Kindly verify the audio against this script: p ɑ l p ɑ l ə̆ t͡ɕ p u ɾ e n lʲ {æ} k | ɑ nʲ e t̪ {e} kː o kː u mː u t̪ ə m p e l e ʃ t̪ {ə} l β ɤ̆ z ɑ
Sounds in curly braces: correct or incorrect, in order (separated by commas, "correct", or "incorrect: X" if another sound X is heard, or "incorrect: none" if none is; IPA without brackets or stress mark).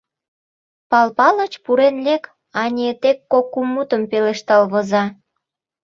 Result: incorrect: e, correct, incorrect: ɑ